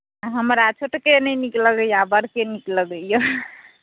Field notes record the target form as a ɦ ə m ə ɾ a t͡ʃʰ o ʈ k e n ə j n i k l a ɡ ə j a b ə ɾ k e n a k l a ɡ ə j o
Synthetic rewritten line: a ɦ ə m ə ɾ a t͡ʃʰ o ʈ k e n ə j n i k l ə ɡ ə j a b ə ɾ k e n i k l ə ɡ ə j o